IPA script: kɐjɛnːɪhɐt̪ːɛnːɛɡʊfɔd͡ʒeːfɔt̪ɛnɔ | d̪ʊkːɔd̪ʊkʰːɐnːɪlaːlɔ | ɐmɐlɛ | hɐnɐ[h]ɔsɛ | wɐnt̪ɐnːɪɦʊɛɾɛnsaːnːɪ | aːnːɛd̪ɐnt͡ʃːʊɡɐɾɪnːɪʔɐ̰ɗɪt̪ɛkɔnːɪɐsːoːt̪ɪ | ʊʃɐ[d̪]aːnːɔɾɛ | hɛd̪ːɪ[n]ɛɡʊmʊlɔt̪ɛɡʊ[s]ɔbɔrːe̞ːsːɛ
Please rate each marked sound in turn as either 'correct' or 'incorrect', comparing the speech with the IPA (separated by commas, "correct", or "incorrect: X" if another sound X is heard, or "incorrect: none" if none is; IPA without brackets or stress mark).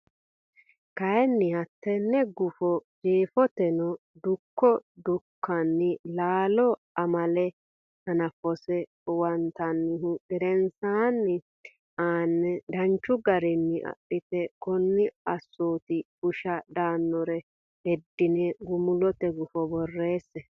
incorrect: f, correct, correct, incorrect: f